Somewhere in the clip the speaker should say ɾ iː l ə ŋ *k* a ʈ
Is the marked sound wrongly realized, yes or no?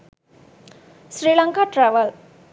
no